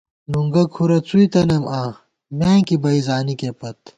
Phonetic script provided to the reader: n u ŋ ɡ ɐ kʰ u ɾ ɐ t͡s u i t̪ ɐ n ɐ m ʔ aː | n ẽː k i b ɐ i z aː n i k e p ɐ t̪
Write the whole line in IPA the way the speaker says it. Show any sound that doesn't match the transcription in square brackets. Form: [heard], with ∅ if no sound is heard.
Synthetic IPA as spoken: n u ŋ ɡ ɐ kʰ u ɾ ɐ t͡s u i t̪ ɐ n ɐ m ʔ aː | [m] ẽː k i b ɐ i z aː n i k e p ɐ t̪